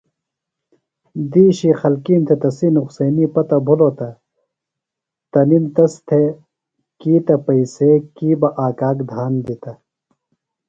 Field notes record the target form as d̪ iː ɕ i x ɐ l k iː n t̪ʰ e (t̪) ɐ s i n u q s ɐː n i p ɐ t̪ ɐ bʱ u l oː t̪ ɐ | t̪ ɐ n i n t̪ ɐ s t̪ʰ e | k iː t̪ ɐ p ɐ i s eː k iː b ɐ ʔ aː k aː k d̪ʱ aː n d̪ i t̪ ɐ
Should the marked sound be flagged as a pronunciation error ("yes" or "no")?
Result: no